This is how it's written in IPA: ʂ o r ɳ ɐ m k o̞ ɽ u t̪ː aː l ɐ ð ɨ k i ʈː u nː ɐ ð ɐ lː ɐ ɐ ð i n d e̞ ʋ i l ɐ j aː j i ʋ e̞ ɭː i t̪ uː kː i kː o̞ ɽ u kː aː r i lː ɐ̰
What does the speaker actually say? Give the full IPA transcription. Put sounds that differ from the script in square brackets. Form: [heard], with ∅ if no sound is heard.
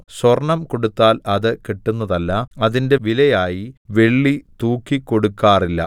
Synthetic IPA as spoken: [s] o r ɳ ɐ m k o̞ ɽ u t̪ː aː l ɐ ð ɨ k i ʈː u nː ɐ ð ɐ lː ɐ ɐ ð i n d e̞ ʋ i l ɐ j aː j i ʋ e̞ ɭː i t̪ uː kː i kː o̞ ɽ u kː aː r i lː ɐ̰